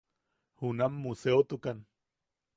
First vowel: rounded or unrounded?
rounded